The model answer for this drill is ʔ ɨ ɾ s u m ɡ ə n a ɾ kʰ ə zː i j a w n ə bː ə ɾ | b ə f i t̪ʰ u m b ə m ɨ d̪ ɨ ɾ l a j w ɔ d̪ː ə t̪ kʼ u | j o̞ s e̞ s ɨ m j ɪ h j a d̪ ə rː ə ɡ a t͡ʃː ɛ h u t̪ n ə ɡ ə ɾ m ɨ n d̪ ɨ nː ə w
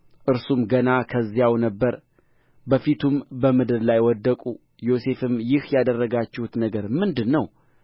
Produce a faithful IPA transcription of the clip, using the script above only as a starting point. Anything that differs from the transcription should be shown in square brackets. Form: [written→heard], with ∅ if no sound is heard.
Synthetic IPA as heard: ʔ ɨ ɾ s u m ɡ ə n a [ɾ→∅] kʰ ə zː i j a w n ə bː ə ɾ | b ə f i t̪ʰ u m b ə m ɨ d̪ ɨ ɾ l a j w ɔ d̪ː ə [t̪→∅] kʼ u | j o̞ s e̞ [s→f] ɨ m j ɪ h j a d̪ ə rː ə ɡ a t͡ʃː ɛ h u t̪ n ə ɡ ə ɾ m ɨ n d̪ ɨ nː ə w